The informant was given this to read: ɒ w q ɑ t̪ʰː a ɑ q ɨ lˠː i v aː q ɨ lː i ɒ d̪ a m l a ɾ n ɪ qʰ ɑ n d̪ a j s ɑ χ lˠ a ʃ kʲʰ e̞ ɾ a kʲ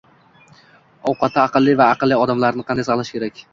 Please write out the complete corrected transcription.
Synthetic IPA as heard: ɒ w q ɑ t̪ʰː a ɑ q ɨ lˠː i v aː q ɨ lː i ɒ d̪ a m l a ɾ n ɪ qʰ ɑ n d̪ a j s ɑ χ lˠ a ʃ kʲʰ e̞ ɾ a kʲ